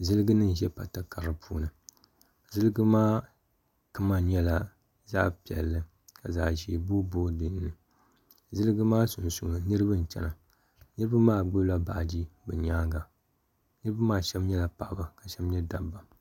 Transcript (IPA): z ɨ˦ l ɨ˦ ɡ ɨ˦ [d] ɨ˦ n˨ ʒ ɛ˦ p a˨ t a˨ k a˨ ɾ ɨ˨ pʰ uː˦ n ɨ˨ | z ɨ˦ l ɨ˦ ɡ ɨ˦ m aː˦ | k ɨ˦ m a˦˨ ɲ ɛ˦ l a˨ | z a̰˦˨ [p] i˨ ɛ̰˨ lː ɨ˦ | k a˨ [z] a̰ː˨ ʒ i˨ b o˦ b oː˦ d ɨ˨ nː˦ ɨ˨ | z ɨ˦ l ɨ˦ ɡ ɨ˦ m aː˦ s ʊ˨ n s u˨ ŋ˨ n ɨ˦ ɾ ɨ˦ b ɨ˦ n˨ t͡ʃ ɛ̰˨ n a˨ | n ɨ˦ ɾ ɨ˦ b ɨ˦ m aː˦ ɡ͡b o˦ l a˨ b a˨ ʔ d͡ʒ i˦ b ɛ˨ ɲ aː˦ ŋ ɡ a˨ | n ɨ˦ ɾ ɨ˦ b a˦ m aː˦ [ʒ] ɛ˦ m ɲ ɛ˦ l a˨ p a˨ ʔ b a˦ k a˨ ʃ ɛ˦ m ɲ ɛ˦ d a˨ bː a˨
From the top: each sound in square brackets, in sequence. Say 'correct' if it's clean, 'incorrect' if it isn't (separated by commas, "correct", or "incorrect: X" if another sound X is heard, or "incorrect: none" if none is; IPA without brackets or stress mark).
incorrect: n, correct, correct, incorrect: ʃ